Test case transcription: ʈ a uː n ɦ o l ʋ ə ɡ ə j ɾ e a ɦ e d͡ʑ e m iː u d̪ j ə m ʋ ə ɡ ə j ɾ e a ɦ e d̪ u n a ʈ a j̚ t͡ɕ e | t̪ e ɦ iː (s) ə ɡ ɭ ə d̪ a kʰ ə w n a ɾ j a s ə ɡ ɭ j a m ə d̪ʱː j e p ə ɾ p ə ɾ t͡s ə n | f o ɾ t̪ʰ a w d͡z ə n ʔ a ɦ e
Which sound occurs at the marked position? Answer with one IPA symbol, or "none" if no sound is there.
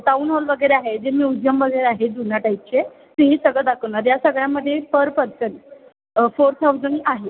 s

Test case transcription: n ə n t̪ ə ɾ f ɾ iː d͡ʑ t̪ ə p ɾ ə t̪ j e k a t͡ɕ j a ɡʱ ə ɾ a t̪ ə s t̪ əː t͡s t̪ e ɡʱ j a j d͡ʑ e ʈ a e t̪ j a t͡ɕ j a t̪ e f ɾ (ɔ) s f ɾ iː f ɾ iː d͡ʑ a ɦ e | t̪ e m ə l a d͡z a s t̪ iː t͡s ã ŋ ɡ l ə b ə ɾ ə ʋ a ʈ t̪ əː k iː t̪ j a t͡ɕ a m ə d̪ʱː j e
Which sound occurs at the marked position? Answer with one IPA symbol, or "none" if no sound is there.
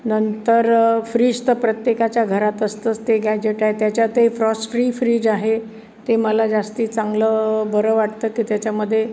ɔ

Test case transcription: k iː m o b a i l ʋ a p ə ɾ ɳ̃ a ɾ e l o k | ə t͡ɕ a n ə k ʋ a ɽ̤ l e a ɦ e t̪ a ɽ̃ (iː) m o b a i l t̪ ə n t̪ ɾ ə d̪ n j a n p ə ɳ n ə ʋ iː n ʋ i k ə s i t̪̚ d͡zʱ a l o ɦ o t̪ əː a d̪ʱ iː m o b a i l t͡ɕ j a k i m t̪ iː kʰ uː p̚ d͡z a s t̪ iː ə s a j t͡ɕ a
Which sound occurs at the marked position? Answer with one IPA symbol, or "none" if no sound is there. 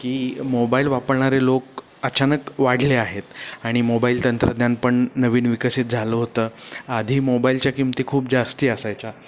i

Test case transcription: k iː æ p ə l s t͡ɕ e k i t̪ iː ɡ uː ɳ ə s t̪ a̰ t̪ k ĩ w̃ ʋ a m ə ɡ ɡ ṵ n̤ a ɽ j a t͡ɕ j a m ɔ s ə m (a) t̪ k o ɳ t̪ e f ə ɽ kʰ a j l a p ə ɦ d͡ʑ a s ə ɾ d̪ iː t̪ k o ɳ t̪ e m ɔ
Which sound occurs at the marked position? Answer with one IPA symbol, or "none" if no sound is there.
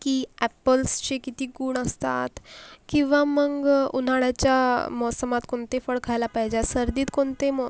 a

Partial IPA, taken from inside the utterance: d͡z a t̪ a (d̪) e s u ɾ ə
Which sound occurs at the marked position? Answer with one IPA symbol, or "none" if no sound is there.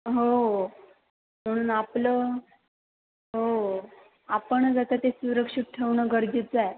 t̪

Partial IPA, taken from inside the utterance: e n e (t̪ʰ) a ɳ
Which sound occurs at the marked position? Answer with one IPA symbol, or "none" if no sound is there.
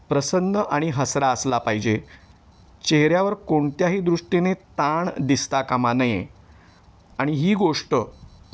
t̪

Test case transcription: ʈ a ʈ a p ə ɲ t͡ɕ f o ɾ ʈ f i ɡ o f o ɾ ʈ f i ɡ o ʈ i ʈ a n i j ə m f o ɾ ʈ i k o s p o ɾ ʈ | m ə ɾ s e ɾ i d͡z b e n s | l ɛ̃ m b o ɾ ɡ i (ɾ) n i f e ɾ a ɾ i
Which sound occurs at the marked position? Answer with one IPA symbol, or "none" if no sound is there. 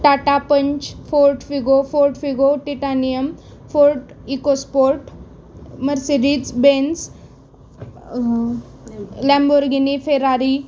none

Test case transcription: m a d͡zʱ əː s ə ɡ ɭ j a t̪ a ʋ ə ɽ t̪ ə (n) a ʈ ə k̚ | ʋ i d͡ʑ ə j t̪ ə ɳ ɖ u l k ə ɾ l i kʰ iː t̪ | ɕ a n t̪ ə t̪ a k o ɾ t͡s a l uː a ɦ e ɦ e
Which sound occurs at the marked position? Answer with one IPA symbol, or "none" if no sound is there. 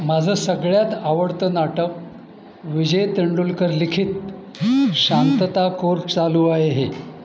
n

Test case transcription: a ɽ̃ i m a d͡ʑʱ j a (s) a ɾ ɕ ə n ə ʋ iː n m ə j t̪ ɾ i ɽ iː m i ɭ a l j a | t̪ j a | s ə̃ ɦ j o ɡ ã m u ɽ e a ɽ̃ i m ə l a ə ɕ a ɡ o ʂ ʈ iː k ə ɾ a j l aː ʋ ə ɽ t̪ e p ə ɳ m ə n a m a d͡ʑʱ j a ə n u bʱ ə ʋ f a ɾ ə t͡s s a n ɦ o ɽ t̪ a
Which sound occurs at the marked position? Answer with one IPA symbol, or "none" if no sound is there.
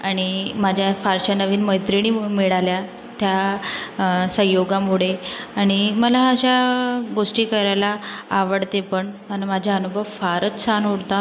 f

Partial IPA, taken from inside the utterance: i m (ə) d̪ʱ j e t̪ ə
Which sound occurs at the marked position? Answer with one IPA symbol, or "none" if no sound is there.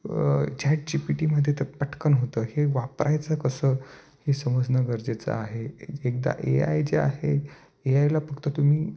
ə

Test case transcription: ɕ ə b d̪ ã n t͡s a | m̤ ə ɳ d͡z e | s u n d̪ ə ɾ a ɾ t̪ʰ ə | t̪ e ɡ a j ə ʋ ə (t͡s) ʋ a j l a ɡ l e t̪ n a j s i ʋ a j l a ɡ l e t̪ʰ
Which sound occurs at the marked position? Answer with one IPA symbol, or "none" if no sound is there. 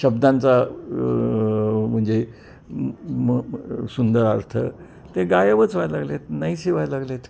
t͡s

